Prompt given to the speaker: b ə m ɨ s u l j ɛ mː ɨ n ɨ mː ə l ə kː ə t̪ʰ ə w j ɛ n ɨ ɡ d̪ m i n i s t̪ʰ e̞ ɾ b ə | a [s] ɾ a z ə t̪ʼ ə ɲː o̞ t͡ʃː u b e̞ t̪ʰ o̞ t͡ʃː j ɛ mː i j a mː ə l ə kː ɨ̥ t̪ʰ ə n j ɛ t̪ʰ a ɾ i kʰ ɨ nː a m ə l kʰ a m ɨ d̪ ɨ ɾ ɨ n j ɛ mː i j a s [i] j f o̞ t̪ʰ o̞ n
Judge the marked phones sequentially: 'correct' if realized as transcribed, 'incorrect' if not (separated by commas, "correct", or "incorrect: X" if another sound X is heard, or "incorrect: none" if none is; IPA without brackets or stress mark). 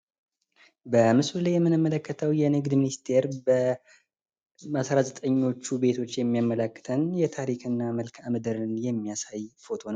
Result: correct, incorrect: a